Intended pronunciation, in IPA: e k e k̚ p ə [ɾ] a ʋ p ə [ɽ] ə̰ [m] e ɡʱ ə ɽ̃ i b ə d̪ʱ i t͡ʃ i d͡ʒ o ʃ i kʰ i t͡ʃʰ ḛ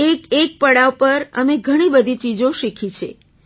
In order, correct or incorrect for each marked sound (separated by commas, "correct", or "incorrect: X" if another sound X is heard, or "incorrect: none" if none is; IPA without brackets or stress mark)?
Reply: incorrect: ɽ, incorrect: ɾ, correct